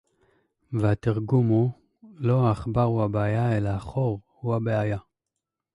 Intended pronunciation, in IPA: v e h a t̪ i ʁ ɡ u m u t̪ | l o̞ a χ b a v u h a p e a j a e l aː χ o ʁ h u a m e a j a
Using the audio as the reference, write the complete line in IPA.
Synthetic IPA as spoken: v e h a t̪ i ʁ ɡ u m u | l o̞ a χ b a ʁ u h a b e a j a e l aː χ o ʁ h u a b e a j a